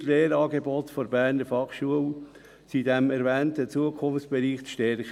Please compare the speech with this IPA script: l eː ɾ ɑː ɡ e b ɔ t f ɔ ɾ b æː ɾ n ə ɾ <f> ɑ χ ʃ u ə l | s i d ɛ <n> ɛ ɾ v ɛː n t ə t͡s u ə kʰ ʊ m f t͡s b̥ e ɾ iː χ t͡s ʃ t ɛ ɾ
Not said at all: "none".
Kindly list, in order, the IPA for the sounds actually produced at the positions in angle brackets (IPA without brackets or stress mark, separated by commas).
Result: f, m